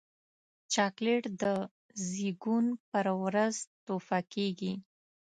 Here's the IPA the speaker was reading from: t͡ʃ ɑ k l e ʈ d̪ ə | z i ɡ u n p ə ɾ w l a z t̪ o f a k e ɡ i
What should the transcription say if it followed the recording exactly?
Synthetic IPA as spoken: t͡ʃ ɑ k l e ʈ d̪ ə | z i ɡ u n p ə ɾ w ɾ a z t̪ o f a k e ɡ i